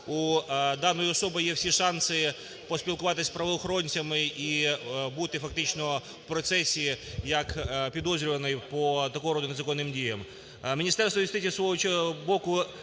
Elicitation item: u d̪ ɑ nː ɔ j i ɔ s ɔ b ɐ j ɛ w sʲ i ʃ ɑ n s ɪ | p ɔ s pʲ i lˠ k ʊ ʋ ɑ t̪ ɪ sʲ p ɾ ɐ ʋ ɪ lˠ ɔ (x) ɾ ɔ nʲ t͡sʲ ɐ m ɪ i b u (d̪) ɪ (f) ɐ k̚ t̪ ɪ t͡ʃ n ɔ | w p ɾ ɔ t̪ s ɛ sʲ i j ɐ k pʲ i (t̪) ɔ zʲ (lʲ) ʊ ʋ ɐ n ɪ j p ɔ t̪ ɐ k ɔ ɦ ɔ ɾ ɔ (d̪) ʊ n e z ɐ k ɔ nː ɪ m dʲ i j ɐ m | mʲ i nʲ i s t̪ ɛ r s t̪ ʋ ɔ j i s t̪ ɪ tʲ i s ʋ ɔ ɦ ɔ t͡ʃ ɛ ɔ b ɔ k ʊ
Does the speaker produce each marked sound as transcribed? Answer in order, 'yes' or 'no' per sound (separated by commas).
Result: yes, no, yes, no, no, yes